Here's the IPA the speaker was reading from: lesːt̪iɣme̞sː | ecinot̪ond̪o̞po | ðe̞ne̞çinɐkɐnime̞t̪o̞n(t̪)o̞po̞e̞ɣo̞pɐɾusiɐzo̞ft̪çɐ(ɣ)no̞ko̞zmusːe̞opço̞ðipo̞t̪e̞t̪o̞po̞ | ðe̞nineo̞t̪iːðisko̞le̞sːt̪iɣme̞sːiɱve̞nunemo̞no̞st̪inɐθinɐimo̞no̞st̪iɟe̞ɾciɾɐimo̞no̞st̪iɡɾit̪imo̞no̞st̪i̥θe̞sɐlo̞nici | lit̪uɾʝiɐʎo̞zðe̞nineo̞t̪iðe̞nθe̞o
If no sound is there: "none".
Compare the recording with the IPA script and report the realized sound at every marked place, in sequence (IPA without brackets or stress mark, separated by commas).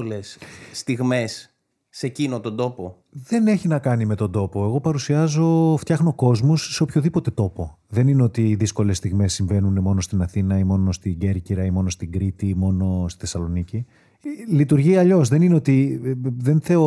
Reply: d̪, x